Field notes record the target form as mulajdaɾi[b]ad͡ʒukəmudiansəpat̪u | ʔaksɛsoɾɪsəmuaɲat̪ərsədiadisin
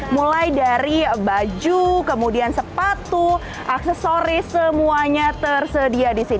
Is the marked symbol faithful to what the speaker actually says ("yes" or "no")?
yes